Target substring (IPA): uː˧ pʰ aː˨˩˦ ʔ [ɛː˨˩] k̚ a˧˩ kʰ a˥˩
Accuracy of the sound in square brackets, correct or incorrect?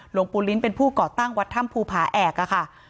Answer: correct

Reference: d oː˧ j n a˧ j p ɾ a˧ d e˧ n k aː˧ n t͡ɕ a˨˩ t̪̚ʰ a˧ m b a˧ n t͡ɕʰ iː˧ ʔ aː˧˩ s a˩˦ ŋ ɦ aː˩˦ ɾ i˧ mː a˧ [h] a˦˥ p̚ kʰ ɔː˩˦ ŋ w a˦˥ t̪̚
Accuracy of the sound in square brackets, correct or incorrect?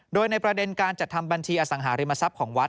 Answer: incorrect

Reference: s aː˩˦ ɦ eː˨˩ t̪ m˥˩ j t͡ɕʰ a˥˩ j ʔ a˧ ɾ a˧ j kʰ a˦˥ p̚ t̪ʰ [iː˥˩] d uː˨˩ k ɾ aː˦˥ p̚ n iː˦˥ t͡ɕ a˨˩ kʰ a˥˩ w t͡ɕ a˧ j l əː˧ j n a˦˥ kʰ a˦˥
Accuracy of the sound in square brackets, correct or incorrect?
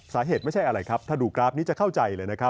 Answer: incorrect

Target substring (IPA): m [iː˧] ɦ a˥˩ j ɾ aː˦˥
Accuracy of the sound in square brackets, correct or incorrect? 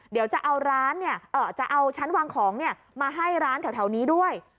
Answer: incorrect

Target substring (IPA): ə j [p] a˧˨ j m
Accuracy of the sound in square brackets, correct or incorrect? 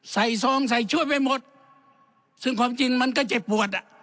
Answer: correct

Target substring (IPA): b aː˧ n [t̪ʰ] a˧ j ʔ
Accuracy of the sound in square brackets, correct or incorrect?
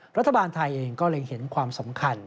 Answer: correct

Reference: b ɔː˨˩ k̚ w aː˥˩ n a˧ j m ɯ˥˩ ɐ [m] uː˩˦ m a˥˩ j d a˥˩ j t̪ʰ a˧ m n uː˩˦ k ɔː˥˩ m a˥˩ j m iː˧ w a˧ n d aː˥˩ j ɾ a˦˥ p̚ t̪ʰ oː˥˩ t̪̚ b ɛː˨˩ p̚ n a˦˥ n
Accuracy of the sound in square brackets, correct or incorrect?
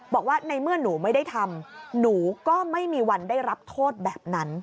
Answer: incorrect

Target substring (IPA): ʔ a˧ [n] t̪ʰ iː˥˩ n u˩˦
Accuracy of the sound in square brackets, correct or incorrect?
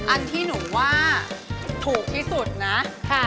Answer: correct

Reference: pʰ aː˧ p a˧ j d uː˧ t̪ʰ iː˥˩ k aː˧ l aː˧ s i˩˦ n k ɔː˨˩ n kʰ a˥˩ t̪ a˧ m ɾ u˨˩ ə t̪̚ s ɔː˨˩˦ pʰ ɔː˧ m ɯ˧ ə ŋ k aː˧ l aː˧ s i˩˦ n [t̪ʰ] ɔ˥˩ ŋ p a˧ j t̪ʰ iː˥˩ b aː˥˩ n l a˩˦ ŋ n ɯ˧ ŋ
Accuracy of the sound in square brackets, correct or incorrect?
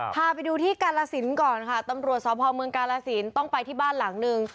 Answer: incorrect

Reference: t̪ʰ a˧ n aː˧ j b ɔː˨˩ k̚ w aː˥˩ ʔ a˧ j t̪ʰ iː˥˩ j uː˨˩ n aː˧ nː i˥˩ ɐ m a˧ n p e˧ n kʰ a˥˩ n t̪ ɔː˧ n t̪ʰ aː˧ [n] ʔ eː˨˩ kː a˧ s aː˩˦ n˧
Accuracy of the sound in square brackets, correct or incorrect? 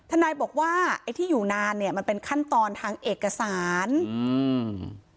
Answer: incorrect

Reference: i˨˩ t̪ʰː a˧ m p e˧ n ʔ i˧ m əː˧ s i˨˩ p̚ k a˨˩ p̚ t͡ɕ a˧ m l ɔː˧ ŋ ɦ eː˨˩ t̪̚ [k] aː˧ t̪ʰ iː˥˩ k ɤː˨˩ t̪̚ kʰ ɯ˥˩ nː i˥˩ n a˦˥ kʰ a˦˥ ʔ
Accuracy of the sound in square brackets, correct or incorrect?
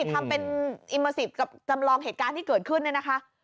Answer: correct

